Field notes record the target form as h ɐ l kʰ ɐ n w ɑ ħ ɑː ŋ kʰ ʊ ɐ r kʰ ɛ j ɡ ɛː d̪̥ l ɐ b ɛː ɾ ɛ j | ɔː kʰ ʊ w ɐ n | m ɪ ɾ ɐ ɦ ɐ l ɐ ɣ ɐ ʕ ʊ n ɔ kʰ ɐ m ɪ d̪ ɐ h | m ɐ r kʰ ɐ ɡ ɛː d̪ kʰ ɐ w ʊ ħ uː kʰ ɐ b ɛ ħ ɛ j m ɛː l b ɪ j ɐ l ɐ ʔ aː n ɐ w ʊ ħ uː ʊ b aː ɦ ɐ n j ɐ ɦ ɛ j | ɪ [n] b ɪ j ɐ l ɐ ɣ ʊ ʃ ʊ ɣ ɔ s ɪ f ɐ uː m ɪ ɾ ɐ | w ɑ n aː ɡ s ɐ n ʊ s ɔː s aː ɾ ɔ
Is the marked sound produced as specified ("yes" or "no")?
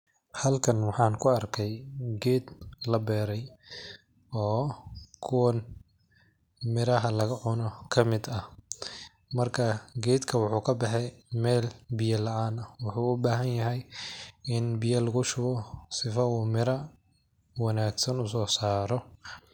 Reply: yes